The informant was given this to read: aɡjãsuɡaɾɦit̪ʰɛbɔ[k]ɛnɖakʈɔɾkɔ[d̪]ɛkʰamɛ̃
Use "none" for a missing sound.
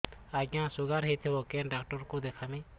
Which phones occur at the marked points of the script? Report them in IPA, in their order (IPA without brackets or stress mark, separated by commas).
k, d̪